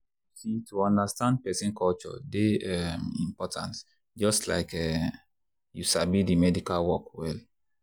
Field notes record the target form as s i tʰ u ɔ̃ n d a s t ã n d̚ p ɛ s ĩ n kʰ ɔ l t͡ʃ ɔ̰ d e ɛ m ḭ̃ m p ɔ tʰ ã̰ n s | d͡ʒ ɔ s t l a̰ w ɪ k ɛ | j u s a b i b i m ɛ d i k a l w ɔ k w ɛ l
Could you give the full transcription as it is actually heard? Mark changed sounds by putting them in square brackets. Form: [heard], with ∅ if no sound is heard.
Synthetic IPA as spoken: s i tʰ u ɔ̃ n d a s t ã n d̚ p ɛ s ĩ n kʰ ɔ l t͡ʃ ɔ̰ d e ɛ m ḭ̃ m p ɔ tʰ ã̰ n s | d͡ʒ ɔ s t l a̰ [∅] ɪ k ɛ | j u s a b i [d] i m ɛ d i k a l w ɔ k w ɛ l